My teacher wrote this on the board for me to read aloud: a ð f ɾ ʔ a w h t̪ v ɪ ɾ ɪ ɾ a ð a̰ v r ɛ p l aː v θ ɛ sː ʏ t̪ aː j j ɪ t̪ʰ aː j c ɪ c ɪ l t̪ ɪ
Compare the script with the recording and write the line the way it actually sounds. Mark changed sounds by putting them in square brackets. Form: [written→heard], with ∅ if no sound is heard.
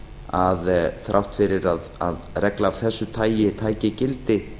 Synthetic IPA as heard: a ð [f→θ] ɾ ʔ a w h t̪ [v→f] ɪ ɾ ɪ ɾ a ð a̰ [v→ð] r ɛ [p→k] l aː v θ ɛ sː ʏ [t̪→t̪ʰ] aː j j ɪ t̪ʰ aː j c ɪ c ɪ l t̪ ɪ

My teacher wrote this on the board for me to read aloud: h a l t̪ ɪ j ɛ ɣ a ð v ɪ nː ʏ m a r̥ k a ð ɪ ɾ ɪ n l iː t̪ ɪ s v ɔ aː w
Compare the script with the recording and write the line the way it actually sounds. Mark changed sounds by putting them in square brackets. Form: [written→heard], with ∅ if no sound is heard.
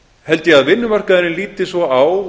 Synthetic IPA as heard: h [a→ɛ] l t̪ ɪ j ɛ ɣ a ð v ɪ nː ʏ m a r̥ k a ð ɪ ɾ ɪ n l iː t̪ ɪ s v ɔ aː w

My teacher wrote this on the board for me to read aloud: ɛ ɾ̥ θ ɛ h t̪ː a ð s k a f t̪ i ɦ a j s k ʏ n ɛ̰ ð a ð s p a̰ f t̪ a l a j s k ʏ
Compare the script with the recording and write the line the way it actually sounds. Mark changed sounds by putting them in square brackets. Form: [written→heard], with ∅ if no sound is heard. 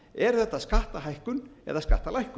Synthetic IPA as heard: ɛ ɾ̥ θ ɛ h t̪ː a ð s k a [f→h] t̪ [i→a] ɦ a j [s→h] k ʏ n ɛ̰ ð a ð s [p→k] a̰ [f→h] t̪ a l a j [s→h] k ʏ

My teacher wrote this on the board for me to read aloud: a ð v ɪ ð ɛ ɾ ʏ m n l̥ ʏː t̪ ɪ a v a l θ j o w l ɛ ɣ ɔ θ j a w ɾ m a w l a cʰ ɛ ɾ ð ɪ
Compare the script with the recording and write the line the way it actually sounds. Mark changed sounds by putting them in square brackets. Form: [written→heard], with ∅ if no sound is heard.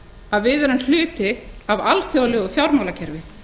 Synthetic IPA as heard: a ð v ɪ ð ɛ ɾ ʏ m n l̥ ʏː t̪ ɪ a v a l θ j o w l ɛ ɣ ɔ θ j a w ɾ m a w l a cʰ ɛ ɾ [ð→v] ɪ

